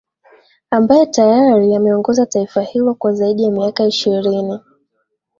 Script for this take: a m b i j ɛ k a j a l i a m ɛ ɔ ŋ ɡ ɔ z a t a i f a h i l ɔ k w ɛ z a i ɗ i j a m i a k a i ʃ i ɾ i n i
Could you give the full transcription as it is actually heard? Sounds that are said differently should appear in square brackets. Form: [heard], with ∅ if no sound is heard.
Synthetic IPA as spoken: a m b [a] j ɛ [t] a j a [ɾ] i a m ɛ ɔ ŋ ɡ ɔ z a t a i f a h i l ɔ k w [a] z a i ɗ i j a m i a k a i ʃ i ɾ i n i